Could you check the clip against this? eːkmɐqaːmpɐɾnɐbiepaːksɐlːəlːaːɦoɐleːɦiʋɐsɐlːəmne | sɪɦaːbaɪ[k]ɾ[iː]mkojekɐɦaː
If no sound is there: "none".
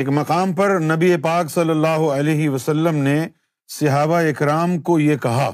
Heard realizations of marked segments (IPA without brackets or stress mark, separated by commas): k, aː